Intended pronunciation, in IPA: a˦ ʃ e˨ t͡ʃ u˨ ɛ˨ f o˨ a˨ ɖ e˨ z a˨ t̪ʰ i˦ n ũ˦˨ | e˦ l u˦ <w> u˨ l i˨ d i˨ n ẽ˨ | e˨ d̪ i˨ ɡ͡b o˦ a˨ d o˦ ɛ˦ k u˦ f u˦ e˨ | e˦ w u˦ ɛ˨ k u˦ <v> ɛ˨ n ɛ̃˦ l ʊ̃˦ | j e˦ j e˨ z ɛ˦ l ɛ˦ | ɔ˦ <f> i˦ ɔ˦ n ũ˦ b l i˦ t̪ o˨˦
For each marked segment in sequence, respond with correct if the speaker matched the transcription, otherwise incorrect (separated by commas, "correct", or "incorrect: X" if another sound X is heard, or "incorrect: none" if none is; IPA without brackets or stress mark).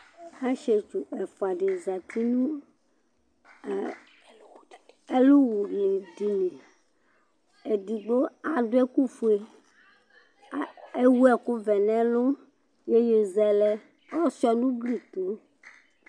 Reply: correct, correct, incorrect: s